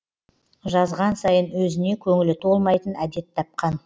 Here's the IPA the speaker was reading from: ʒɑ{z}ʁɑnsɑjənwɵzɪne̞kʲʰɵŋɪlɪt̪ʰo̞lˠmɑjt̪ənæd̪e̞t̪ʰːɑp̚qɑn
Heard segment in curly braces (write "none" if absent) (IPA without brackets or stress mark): z